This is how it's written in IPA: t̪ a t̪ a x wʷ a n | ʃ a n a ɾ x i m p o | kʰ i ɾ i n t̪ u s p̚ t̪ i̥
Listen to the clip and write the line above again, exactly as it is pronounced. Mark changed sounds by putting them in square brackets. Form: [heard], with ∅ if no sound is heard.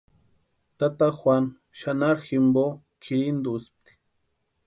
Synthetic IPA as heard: t̪ a t̪ a x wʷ a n | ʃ a n a ɾ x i m [b] o | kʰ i ɾ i n [d̪] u s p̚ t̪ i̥